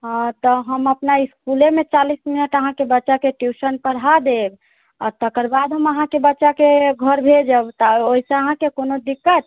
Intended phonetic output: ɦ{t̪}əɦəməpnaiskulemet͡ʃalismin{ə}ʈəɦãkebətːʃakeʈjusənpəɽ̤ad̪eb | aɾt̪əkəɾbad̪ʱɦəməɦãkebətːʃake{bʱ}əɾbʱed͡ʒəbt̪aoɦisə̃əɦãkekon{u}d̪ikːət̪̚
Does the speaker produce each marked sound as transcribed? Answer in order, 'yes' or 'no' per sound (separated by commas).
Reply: yes, yes, no, no